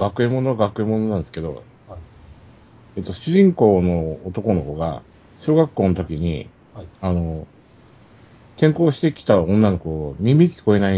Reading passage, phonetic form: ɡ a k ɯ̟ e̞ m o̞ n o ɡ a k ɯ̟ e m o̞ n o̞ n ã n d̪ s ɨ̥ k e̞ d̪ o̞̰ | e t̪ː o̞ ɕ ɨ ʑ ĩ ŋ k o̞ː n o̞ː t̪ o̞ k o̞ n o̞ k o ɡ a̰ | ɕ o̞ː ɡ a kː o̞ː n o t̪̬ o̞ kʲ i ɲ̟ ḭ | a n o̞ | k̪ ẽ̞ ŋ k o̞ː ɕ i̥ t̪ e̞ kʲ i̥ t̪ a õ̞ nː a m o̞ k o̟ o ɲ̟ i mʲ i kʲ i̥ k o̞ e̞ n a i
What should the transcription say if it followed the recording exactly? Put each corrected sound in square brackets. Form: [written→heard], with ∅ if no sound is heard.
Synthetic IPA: ɡ a k ɯ̟ e̞ m o̞ n o ɡ a k ɯ̟ e m o̞ n o̞ n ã n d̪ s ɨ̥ k e̞ d̪ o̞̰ | e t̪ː o̞ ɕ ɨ ʑ ĩ ŋ k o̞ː n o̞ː t̪ o̞ k o̞ n o̞ k o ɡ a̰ | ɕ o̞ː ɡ a kː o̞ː n o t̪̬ o̞ kʲ i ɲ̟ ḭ | a n o̞ | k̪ ẽ̞ ŋ k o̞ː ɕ i̥ t̪ e̞ kʲ i̥ t̪ a õ̞ nː a [m→n] o̞ k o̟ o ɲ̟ i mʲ i kʲ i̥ k o̞ e̞ n a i